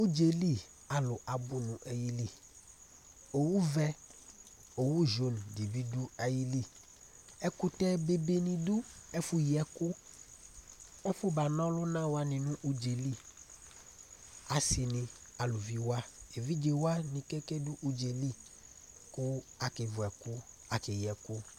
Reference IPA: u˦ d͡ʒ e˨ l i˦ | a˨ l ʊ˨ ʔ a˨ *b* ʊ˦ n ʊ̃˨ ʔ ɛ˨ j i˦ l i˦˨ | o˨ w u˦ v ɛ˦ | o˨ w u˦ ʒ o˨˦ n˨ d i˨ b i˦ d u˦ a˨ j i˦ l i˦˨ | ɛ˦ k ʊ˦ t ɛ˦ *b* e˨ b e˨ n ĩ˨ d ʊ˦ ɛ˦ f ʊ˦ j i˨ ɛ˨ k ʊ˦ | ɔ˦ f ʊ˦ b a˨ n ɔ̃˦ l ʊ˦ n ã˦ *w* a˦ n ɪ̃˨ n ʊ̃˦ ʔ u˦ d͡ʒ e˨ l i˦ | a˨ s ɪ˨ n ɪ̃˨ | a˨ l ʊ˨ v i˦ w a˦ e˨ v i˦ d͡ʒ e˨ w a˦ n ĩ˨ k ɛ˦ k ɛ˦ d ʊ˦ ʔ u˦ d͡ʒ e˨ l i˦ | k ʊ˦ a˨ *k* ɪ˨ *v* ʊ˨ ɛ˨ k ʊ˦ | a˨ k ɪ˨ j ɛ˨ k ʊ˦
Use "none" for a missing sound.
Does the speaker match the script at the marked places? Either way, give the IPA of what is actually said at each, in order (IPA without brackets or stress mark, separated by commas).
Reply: b, b, w, k, v